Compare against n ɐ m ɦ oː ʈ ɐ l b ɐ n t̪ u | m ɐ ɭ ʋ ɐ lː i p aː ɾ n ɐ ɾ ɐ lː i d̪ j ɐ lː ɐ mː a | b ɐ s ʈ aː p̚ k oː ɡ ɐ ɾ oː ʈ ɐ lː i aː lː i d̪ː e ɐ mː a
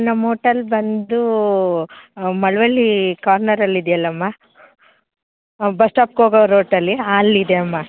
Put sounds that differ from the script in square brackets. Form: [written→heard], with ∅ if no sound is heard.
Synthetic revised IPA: n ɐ m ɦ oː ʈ ɐ l b ɐ n [t̪→d̪] u | m ɐ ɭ ʋ ɐ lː i [p→k] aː ɾ n ɐ ɾ ɐ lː i d̪ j ɐ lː ɐ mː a | b ɐ s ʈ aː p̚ k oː ɡ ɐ ɾ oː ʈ ɐ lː i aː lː i [d̪ː→d̪] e ɐ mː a